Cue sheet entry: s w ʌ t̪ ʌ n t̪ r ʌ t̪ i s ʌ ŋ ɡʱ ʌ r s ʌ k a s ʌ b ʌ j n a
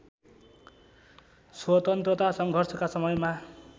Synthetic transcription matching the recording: s w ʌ t̪ ʌ n t̪ r ʌ t̪ a s ʌ ŋ ɡʱ ʌ r s ʌ k a s ʌ m ʌ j m a